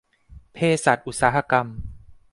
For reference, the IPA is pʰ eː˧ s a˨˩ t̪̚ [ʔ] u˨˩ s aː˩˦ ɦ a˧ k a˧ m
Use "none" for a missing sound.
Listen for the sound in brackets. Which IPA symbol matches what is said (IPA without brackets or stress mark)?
ʔ